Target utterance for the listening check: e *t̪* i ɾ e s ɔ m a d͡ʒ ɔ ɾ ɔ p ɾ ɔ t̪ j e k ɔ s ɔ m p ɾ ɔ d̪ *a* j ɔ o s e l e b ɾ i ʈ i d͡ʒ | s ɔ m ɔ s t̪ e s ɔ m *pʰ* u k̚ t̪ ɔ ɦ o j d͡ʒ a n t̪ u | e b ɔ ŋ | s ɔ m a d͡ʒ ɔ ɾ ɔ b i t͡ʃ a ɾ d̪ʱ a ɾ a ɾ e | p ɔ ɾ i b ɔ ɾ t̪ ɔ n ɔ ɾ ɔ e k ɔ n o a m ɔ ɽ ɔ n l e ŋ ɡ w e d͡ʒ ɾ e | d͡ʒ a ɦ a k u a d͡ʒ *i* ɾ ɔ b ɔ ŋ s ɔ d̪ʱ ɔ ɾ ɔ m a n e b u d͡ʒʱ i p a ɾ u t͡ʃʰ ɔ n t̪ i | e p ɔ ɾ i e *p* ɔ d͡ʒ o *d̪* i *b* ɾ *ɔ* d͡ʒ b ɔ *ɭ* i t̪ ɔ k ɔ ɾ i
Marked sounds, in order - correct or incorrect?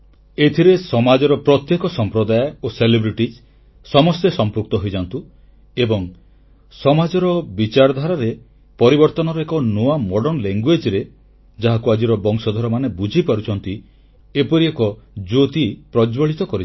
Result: incorrect: t̪ʰ, correct, incorrect: p, correct, incorrect: k, incorrect: t̪, incorrect: p, correct, correct

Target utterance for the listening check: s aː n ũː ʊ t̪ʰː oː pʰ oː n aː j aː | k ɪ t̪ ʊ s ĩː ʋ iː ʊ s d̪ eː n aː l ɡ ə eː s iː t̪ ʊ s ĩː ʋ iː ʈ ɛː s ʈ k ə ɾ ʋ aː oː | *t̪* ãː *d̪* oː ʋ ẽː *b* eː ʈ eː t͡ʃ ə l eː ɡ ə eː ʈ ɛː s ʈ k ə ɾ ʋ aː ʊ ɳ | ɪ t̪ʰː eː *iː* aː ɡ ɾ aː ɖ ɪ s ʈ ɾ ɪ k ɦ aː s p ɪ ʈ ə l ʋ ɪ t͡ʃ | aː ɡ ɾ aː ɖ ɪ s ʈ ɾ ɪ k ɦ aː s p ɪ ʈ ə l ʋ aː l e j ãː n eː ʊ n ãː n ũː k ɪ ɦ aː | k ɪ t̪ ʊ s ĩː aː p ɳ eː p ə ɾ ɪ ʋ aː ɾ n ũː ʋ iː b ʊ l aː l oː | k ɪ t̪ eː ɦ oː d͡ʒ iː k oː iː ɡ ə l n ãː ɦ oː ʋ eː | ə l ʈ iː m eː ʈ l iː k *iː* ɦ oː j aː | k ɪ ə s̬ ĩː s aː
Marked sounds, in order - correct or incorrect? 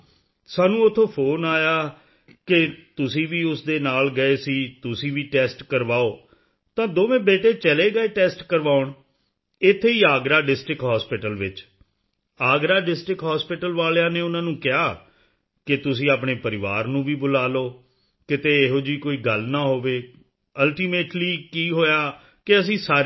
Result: correct, correct, correct, correct, correct

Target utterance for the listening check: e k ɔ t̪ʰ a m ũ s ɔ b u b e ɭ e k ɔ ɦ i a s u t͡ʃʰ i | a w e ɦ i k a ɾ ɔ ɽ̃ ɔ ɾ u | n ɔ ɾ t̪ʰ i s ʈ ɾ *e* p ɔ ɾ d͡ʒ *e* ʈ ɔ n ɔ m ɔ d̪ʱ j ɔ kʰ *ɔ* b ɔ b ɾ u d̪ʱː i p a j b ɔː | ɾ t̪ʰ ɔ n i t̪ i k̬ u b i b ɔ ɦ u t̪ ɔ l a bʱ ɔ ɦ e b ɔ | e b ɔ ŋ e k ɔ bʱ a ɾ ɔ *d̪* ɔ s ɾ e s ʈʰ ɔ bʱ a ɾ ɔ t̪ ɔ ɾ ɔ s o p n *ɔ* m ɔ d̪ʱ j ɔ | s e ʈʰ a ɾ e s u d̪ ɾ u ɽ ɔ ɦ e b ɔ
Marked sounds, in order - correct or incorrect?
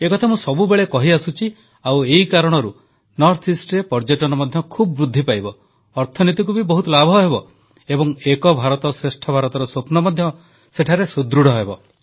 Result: correct, correct, incorrect: u, incorrect: t̪, correct

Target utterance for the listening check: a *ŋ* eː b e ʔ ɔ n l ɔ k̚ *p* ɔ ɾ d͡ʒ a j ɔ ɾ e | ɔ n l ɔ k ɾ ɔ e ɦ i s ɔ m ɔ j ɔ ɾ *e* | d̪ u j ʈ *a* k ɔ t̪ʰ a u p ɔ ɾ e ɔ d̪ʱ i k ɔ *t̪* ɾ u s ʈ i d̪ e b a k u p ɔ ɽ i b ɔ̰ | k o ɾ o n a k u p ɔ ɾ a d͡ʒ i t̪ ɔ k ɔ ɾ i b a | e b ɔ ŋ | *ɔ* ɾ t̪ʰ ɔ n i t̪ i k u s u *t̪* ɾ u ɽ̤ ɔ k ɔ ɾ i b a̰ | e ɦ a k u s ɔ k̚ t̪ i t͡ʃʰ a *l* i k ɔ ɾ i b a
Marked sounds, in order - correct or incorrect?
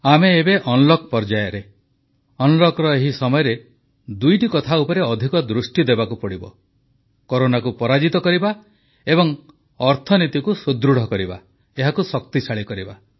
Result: incorrect: m, correct, correct, incorrect: i, incorrect: d̪, correct, incorrect: d̪, incorrect: ɭ

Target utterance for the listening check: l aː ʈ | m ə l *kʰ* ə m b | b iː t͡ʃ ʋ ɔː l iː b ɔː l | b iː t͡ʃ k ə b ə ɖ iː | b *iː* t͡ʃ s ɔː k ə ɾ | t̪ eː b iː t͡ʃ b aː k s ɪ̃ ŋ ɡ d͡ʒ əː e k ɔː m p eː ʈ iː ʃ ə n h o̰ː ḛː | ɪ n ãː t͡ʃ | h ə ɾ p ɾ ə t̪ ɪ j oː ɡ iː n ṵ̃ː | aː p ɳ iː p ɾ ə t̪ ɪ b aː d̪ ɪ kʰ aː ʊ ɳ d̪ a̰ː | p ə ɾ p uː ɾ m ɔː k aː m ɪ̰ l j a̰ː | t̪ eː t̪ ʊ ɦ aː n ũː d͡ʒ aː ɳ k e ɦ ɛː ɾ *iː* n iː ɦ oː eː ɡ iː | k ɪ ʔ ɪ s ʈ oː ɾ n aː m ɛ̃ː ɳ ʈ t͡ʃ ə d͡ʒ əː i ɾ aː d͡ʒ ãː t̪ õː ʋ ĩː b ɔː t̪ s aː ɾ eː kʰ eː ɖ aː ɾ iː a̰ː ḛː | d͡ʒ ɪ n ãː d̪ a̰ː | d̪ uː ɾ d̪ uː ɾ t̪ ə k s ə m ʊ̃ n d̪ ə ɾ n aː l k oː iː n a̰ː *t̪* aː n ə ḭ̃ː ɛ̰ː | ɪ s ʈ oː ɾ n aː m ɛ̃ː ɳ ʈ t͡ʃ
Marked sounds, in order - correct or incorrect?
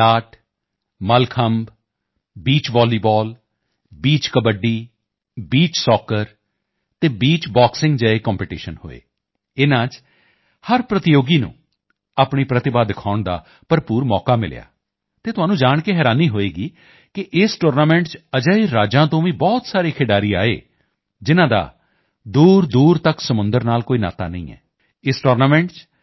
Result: correct, correct, incorrect: aː, correct

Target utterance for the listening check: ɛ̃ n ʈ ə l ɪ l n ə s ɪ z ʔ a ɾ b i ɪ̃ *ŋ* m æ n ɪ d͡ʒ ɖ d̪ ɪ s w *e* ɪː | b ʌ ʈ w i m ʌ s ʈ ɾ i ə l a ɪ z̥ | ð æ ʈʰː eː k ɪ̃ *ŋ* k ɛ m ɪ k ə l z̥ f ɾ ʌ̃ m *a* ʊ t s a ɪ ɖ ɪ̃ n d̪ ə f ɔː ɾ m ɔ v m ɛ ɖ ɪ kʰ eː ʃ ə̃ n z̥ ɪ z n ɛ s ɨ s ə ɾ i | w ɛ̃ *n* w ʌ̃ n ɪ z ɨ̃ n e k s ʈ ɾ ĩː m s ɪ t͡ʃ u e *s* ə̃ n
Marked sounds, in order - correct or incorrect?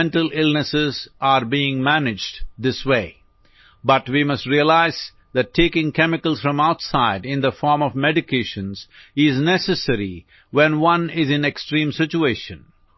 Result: correct, correct, correct, correct, correct, incorrect: ʃ

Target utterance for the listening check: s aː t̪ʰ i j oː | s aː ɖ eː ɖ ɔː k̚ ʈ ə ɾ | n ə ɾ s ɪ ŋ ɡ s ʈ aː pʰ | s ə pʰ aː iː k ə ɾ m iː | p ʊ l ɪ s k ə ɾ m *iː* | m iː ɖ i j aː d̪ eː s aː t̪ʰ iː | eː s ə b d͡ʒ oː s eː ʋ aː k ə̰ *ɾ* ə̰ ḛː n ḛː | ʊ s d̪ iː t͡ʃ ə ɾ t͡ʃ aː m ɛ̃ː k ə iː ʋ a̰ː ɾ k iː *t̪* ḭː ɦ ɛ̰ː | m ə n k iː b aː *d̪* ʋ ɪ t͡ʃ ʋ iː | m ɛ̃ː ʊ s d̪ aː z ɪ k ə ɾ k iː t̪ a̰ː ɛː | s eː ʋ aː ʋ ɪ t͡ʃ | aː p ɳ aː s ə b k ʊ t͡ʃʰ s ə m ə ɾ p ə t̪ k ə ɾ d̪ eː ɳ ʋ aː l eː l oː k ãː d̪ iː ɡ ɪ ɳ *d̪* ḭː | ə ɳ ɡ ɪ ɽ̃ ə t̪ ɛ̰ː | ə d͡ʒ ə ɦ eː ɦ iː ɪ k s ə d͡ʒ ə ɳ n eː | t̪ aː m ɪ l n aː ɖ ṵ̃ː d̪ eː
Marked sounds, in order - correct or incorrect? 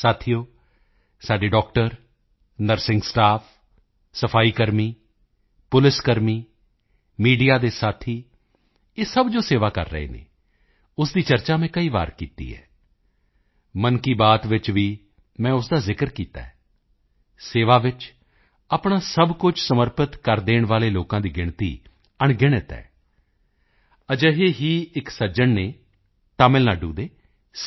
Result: correct, incorrect: ɾː, correct, incorrect: t̪, incorrect: t̪

